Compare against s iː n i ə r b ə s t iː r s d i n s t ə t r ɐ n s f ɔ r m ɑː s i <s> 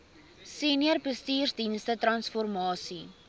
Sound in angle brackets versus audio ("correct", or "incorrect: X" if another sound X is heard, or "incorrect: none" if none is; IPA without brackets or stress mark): incorrect: none